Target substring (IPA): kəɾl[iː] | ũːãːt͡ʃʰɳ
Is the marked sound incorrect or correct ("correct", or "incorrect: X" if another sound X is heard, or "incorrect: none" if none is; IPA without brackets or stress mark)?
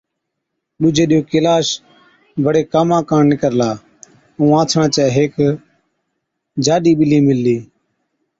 incorrect: aː